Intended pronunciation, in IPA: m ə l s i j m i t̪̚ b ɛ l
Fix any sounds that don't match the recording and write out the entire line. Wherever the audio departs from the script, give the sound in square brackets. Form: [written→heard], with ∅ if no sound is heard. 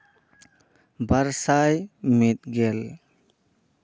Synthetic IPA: [m→b] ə [l→ɾ] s [i→a] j m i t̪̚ [b→ɡ] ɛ l